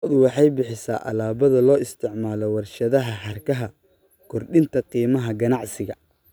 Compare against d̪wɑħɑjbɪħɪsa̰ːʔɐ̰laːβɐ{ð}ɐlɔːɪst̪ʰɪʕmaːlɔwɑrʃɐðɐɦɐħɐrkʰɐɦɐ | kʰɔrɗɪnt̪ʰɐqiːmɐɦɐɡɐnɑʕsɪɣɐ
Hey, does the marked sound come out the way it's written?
yes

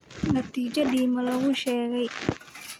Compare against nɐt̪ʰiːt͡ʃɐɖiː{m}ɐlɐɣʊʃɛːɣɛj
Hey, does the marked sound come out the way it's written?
yes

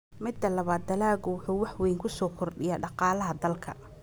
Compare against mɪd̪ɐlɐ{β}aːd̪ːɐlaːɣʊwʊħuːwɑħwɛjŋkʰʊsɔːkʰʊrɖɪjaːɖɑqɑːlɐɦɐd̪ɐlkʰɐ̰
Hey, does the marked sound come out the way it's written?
yes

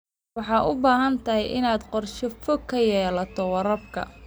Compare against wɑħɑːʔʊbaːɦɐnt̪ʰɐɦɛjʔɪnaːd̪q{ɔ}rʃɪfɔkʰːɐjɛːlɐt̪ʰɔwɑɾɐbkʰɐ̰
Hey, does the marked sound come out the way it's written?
yes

